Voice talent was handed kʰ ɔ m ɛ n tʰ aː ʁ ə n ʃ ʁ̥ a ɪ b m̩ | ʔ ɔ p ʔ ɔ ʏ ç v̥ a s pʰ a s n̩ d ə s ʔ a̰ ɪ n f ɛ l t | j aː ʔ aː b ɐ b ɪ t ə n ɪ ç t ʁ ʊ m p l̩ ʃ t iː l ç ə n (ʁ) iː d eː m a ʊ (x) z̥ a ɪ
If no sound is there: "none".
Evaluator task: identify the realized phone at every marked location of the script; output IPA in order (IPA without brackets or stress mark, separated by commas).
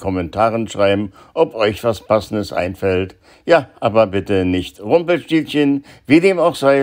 v, x